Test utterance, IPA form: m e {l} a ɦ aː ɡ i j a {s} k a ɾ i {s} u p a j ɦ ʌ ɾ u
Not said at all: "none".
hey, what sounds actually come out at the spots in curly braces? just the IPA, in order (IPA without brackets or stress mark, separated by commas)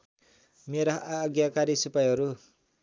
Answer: ɾ, none, s